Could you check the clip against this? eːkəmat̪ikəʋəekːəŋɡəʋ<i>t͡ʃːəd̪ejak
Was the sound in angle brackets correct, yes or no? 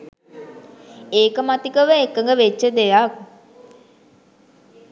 no